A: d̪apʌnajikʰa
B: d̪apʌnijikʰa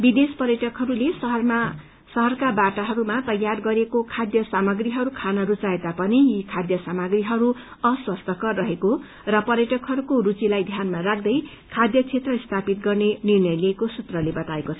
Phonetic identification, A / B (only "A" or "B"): B